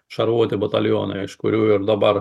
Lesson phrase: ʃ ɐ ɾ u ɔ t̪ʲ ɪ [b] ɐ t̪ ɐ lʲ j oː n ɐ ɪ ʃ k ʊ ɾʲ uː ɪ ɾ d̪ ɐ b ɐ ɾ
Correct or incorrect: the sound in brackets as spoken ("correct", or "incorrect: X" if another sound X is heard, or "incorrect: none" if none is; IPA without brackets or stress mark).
correct